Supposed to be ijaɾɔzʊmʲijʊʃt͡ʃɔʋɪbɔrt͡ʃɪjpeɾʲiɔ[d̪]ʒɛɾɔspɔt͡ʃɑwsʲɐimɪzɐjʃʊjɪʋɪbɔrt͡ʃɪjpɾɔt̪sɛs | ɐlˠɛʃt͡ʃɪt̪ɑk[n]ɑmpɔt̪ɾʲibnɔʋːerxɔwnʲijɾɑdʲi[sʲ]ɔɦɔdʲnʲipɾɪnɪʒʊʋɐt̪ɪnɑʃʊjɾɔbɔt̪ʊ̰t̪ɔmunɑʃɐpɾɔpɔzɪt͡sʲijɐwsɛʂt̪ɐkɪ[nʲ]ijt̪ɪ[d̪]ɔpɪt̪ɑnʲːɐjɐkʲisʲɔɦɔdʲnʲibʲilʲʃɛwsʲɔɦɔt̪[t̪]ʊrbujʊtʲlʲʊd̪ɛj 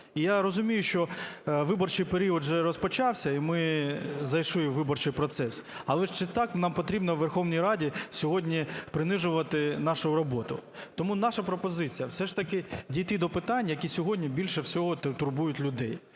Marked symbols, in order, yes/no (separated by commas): yes, yes, yes, no, yes, yes